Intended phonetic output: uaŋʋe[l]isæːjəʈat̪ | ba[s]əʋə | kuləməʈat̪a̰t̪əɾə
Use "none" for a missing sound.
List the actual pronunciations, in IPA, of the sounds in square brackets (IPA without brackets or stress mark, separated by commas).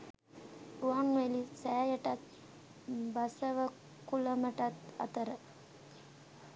l, s